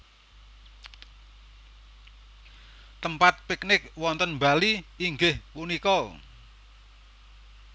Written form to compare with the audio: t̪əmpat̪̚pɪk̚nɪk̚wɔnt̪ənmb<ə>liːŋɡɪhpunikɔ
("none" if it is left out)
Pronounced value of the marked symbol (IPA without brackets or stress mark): a